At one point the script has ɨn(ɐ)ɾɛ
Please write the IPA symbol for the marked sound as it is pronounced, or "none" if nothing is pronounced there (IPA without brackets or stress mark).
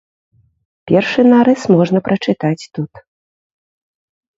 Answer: a